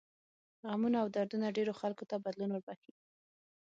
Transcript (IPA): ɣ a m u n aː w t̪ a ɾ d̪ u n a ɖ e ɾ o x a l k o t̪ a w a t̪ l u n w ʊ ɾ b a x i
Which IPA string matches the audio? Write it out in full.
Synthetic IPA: ɣ a m u n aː w d̪ a ɾ d̪ u n a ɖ e ɾ o x a l k o t̪ a b a d̪ l u n w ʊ ɾ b a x i